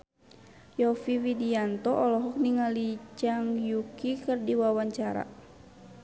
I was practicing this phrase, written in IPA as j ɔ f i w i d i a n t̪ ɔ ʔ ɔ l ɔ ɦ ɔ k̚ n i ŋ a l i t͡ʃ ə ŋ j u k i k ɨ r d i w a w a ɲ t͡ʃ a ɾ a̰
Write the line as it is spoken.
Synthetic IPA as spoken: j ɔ f i w i d i a n t̪ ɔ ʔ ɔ l ɔ ɦ ɔ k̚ n i ŋ a l i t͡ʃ a ŋ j u k i k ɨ r d i w a w a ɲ t͡ʃ a ɾ a̰